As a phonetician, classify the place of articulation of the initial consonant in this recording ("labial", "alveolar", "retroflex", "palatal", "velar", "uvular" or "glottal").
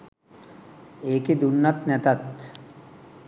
velar